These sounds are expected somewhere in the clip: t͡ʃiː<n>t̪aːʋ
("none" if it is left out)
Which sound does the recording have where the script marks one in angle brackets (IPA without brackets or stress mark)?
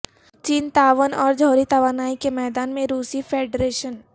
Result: n